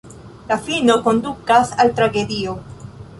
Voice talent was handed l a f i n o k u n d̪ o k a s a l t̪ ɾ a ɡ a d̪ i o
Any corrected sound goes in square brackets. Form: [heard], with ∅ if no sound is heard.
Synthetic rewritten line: l a f i n o k [o] n d̪ [u] k a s a l t̪ ɾ a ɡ [e] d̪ i o